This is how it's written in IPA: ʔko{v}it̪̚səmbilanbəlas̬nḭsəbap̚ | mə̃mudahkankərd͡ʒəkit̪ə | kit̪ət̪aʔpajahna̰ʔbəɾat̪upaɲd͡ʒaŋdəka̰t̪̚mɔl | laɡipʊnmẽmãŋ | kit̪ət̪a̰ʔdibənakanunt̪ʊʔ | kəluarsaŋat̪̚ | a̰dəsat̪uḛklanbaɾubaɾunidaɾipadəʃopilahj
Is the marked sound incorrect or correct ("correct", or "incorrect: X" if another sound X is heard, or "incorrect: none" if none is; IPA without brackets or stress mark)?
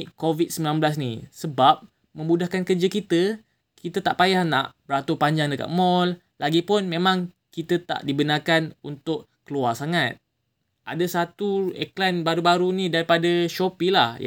correct